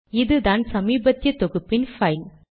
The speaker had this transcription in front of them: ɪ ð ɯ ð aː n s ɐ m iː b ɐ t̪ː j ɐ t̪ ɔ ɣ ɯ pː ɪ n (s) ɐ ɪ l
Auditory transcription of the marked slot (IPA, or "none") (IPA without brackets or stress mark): f